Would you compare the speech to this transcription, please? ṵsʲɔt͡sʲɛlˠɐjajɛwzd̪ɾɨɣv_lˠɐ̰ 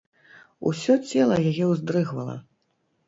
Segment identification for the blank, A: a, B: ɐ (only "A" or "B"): B